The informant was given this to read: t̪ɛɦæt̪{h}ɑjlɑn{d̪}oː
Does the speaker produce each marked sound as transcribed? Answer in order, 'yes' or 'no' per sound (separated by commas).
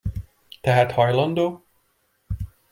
yes, yes